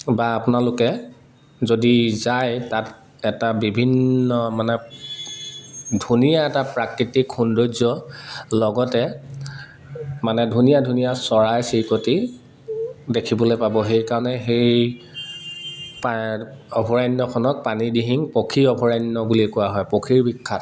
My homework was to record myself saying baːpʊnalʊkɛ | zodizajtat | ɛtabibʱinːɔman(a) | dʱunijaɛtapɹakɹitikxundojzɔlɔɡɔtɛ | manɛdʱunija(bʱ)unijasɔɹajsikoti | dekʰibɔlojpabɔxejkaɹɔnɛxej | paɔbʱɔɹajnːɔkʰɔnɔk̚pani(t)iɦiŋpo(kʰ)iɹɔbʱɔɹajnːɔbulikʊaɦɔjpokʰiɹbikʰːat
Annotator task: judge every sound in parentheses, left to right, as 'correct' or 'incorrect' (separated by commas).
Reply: incorrect, incorrect, incorrect, correct